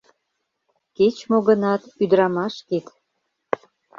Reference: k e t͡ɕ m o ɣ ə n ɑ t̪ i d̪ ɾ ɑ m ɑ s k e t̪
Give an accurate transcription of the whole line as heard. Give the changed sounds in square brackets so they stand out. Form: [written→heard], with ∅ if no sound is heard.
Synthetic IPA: k e t͡ɕ m o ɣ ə n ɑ t̪ [i→y] d̪ ɾ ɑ m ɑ [s→ʃ] k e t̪